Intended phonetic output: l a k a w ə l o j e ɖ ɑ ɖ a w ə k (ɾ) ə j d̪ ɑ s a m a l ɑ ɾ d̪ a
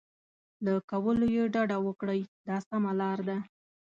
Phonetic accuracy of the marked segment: incorrect: ɽ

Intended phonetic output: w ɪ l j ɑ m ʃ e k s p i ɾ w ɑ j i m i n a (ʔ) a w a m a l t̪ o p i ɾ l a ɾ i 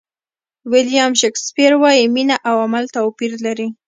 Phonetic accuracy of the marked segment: correct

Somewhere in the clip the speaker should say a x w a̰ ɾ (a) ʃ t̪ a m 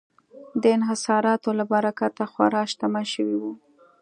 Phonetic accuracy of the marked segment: incorrect: ɑ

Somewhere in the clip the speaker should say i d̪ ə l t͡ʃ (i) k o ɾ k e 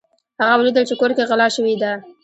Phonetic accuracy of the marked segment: incorrect: e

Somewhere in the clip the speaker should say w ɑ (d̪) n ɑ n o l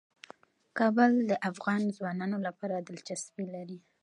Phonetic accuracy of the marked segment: incorrect: none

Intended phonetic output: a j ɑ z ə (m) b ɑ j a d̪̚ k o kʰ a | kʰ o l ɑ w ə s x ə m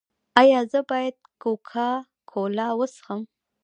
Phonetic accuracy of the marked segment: incorrect: none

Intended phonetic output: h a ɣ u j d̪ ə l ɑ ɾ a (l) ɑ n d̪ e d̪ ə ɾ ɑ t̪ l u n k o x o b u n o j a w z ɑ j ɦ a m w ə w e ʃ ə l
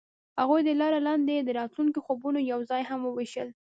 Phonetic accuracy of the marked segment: correct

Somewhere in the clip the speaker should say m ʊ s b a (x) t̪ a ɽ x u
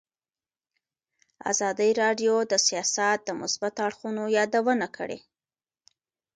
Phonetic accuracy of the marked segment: incorrect: none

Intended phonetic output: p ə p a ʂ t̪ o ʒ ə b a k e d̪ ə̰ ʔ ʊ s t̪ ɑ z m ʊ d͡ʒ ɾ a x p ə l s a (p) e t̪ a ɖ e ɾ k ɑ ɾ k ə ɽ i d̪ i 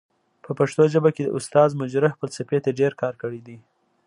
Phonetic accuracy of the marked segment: correct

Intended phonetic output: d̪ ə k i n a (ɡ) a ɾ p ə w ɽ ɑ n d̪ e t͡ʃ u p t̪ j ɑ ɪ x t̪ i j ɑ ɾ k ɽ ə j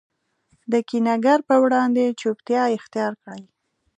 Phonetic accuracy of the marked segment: correct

